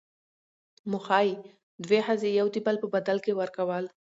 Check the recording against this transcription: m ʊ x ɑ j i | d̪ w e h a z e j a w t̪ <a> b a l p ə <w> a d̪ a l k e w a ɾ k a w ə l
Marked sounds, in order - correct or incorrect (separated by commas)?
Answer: incorrect, incorrect